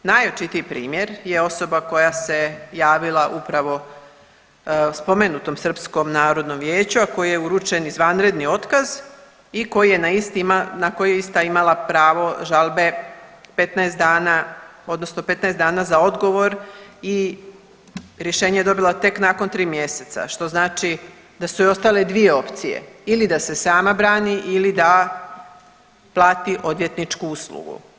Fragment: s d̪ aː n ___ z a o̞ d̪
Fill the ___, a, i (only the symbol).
a